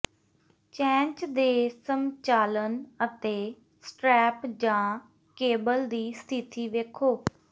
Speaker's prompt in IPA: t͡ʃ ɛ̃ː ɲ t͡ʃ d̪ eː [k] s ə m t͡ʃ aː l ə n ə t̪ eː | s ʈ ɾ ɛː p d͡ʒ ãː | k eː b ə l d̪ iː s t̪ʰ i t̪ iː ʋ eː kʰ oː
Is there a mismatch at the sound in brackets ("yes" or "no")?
yes